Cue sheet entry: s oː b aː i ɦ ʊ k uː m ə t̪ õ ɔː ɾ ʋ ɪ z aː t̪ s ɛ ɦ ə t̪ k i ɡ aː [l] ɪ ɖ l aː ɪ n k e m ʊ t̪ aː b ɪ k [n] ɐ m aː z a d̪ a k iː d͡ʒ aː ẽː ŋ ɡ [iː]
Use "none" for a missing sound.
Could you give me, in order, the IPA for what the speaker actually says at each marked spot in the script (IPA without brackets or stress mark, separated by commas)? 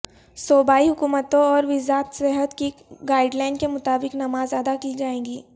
none, n, iː